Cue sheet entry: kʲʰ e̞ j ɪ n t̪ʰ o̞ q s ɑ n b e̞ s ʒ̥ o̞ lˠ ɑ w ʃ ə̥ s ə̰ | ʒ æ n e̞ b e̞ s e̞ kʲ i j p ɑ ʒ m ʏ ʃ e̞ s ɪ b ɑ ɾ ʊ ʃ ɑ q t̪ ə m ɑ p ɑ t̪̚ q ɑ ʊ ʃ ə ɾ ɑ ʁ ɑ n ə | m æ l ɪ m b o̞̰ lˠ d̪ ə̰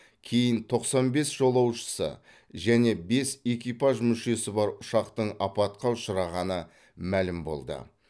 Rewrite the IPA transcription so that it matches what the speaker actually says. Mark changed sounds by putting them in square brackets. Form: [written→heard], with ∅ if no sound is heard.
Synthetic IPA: kʲʰ e̞ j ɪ n t̪ʰ o̞ q s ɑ n b e̞ s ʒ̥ o̞ lˠ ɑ w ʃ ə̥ s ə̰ | ʒ æ n e̞ b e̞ s e̞ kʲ i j p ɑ ʒ m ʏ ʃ e̞ s ɪ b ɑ ɾ ʊ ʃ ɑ q t̪ ə [m→ɴ] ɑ p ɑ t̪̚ q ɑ ʊ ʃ ə ɾ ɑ ʁ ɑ n ə | m æ l ɪ m b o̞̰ lˠ d̪ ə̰